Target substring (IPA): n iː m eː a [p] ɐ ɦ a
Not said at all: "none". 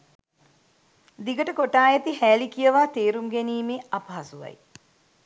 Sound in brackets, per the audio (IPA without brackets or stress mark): p